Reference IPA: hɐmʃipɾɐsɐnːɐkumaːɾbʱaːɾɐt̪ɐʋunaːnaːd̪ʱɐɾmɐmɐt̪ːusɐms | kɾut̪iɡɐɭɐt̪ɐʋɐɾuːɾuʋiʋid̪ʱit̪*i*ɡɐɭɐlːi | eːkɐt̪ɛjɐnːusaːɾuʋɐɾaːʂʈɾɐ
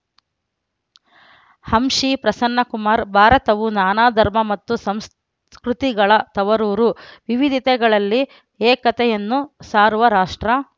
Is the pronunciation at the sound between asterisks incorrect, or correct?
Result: incorrect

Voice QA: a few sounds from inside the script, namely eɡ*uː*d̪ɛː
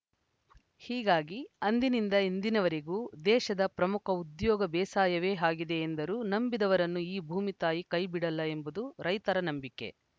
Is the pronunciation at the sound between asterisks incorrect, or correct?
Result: correct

